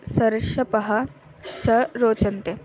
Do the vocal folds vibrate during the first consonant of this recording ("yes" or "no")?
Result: no